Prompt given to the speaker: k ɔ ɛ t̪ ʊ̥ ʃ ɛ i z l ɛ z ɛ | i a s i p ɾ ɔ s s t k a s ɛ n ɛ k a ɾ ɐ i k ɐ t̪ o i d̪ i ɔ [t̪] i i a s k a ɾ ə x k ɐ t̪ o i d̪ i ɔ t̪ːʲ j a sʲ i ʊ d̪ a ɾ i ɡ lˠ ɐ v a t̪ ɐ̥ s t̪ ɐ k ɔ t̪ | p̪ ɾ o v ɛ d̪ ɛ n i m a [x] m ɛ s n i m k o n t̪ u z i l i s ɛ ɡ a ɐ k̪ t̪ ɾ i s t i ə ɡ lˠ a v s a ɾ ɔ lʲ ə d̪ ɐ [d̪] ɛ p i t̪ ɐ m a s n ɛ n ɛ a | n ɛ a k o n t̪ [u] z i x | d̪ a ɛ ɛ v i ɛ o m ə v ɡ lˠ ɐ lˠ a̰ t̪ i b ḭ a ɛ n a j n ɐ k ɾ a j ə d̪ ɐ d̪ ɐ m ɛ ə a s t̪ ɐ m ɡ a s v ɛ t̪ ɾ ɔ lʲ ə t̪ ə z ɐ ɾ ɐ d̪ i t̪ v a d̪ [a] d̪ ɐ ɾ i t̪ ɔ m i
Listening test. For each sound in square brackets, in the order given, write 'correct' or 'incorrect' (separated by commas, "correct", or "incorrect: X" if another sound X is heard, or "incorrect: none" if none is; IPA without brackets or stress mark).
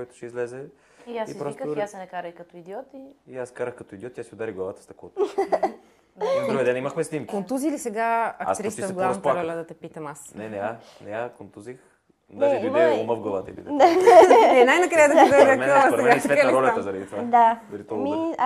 correct, correct, incorrect: t̪, correct, correct